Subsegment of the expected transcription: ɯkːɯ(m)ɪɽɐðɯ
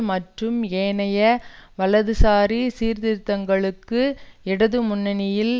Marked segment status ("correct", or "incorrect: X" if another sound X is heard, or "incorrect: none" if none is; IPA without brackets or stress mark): incorrect: none